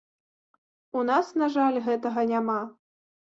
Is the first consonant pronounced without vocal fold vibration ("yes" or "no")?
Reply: no